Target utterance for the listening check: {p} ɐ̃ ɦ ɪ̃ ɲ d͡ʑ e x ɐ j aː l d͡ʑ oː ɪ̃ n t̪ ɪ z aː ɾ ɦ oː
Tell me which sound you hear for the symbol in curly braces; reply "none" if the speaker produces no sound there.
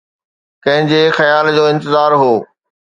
k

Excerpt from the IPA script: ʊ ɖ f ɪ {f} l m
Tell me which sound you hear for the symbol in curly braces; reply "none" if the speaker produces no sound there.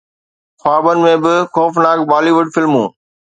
none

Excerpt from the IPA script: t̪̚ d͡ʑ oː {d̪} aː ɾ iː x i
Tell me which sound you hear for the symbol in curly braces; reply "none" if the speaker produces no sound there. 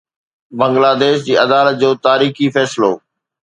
t̪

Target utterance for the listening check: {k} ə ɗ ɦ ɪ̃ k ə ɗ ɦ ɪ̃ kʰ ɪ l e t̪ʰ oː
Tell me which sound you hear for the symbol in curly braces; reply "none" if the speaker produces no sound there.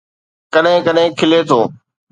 k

